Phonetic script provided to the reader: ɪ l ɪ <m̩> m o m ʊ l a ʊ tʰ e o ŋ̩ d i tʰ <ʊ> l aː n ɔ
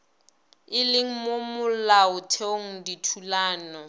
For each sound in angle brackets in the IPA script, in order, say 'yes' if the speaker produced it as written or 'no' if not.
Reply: no, no

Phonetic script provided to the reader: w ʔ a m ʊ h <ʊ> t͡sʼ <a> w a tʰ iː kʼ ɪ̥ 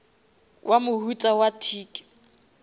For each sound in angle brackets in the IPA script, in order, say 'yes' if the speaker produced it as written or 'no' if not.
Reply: no, yes

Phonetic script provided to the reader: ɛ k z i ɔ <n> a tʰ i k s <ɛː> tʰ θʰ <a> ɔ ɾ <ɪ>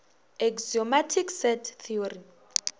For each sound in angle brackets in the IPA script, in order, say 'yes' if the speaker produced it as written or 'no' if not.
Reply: no, no, no, no

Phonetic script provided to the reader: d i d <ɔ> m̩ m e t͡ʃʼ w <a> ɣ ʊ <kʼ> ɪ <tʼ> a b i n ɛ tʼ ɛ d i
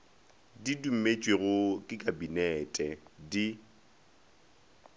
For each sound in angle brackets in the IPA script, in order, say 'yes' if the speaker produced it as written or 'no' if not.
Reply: no, no, yes, no

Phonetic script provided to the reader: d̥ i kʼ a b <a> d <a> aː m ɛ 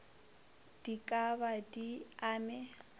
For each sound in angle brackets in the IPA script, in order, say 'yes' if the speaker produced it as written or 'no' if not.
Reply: yes, no

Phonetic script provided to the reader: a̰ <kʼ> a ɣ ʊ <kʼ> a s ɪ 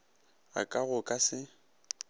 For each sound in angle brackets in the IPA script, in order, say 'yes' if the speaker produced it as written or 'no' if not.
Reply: yes, yes

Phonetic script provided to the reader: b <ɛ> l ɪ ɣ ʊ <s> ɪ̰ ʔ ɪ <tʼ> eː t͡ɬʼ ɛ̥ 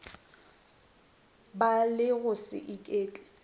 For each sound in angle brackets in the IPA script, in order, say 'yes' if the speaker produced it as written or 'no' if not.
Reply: no, yes, no

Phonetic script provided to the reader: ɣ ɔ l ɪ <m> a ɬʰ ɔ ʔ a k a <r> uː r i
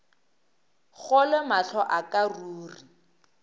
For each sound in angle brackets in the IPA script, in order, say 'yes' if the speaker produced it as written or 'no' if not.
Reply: yes, yes

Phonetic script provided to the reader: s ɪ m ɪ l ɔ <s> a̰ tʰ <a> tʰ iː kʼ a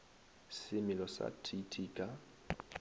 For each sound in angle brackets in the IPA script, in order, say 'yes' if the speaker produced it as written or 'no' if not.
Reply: yes, no

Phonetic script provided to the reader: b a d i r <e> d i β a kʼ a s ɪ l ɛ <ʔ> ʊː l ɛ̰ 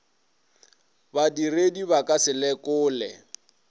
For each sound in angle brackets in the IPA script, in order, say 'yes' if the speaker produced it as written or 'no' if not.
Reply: yes, no

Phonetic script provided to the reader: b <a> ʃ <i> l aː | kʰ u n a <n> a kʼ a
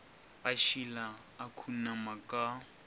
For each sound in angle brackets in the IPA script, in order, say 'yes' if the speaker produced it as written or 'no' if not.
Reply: yes, yes, no

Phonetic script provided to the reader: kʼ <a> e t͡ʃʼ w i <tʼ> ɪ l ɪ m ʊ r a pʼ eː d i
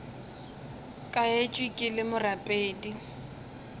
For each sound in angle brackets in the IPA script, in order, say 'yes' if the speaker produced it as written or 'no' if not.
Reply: yes, no

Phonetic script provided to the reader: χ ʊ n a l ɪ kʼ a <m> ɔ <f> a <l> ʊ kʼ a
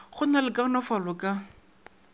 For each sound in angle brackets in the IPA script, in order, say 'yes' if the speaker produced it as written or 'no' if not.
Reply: no, yes, yes

